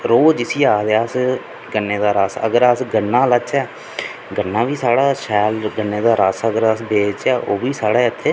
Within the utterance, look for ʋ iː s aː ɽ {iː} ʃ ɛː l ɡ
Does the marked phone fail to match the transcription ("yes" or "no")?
yes